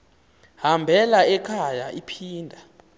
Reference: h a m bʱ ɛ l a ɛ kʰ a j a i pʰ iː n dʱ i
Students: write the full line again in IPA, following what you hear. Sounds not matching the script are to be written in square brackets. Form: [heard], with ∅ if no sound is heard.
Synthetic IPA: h a m bʱ ɛ l a ɛ kʰ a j a i pʰ iː n dʱ [a]